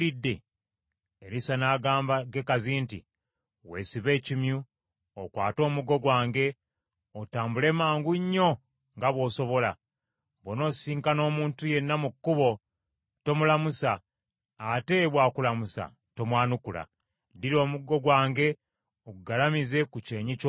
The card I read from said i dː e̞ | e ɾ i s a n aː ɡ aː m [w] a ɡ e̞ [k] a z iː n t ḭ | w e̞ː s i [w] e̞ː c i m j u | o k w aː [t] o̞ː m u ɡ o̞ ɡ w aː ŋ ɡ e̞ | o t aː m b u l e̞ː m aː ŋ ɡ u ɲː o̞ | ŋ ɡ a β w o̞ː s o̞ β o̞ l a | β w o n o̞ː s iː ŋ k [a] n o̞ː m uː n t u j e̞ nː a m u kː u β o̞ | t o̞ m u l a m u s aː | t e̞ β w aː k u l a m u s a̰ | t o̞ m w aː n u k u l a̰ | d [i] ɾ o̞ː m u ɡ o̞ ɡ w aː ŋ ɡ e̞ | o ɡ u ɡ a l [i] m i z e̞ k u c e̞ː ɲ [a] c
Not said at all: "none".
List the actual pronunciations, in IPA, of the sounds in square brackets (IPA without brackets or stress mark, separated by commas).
b, k, β, t, a, i, a, i